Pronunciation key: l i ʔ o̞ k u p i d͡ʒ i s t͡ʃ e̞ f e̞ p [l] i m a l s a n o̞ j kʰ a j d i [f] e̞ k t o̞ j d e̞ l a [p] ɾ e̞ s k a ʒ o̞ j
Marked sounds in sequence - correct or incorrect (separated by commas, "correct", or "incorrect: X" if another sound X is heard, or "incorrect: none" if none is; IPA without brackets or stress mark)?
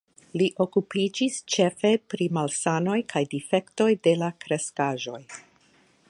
incorrect: ɾ, correct, incorrect: k